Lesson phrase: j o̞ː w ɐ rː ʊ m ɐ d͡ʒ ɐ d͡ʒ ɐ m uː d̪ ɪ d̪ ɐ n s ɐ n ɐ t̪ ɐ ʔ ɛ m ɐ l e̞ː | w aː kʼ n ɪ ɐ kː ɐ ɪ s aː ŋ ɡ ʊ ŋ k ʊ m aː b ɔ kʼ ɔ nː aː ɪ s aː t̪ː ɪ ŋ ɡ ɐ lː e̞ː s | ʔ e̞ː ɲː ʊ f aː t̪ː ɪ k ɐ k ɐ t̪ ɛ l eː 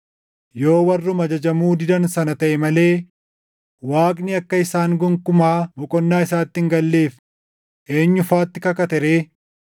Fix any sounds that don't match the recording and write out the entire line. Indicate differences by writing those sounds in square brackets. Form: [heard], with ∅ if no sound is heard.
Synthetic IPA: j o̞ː w ɐ rː ʊ m ɐ d͡ʒ ɐ d͡ʒ ɐ m uː d̪ ɪ d̪ ɐ n s ɐ n ɐ t̪ ɐ ʔ ɛ m ɐ l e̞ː | w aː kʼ n ɪ ɐ kː ɐ ɪ s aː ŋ ɡ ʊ ŋ k ʊ m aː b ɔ kʼ ɔ nː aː ɪ s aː t̪ː ɪ ŋ ɡ ɐ lː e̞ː [f] | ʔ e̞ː ɲː ʊ f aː t̪ː ɪ k ɐ k ɐ t̪ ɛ [ɾ] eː

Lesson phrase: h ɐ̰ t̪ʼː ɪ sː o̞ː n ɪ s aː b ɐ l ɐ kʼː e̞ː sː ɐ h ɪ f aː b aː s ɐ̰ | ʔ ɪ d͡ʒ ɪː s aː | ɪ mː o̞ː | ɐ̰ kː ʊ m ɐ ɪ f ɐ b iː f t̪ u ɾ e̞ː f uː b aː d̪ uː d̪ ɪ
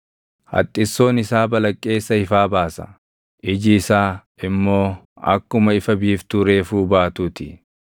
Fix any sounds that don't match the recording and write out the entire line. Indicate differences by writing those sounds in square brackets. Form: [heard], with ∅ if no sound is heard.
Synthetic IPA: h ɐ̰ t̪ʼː ɪ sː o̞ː n ɪ s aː b ɐ l ɐ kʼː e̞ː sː ɐ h ɪ f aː b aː s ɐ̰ | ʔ ɪ d͡ʒ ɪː s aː | ɪ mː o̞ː | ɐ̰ kː ʊ m ɐ ɪ f ɐ b iː f t̪ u ɾ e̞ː f uː b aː [t̪] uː [t̪] ɪ

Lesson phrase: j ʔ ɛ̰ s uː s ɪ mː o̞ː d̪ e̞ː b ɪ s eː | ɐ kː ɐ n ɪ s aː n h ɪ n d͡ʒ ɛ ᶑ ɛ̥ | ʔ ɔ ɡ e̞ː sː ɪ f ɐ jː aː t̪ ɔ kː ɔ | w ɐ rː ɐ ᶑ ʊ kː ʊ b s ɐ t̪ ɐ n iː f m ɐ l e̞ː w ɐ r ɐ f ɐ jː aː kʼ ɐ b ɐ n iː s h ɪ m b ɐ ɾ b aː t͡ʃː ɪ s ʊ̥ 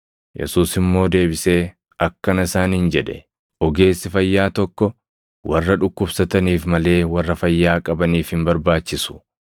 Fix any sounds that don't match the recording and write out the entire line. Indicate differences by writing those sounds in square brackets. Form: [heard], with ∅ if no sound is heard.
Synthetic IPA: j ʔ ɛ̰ s uː s ɪ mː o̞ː d̪ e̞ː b ɪ s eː | ɐ kː ɐ n ɪ s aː n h ɪ n d͡ʒ ɛ ᶑ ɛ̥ | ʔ ɔ ɡ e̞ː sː ɪ f ɐ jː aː t̪ ɔ kː ɔ | w ɐ rː ɐ ᶑ ʊ kː ʊ b s ɐ t̪ ɐ n iː f m ɐ l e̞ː w ɐ [rː] ɐ f ɐ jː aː kʼ ɐ b ɐ n iː [f] h ɪ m b ɐ ɾ b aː t͡ʃː ɪ s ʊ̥

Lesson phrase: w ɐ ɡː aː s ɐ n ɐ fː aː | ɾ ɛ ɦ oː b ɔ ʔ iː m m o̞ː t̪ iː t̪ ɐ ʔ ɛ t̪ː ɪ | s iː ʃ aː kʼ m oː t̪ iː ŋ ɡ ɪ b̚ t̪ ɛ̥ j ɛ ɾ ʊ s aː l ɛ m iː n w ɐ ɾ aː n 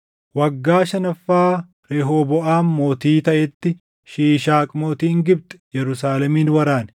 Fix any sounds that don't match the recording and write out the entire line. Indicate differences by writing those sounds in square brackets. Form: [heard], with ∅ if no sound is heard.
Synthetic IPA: w ɐ ɡː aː [ʃ] ɐ n ɐ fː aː | ɾ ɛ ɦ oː b ɔ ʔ [aː] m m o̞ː t̪ iː t̪ ɐ ʔ ɛ t̪ː ɪ | [ʃ] iː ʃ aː kʼ m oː t̪ iː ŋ ɡ ɪ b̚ t̪ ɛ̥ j ɛ ɾ ʊ s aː l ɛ m iː n w ɐ ɾ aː n

